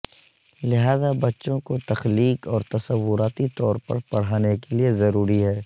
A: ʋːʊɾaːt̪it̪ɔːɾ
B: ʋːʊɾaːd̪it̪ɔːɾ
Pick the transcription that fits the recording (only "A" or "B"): A